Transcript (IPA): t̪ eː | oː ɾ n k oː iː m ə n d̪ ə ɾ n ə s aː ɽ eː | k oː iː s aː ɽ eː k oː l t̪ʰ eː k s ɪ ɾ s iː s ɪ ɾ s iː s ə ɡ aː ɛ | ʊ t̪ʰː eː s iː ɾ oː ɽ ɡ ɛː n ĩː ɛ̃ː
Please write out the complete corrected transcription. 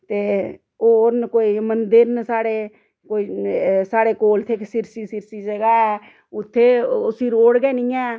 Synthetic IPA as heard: t̪ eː | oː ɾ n k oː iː m ə n d̪ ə ɾ n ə s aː ɽ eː | k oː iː s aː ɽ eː k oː l t̪ʰ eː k s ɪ ɾ s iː s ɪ ɾ s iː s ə ɡ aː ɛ | ʊ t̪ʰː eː s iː ɾ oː ɽ ɡ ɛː n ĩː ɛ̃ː